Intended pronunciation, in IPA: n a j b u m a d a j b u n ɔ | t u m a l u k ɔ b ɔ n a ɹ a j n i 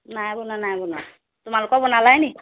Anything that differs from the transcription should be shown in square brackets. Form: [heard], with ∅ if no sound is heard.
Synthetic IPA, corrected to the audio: n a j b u [n] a [n] a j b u n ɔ | t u m a l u k ɔ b ɔ n a [l] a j n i